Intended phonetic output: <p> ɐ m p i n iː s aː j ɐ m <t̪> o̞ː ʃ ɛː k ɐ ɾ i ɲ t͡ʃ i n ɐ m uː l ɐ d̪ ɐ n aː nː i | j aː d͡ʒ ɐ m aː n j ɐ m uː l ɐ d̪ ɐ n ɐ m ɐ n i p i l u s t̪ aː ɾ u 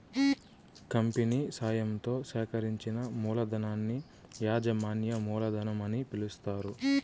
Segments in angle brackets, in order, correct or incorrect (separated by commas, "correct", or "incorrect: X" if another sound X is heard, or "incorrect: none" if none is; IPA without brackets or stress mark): incorrect: k, correct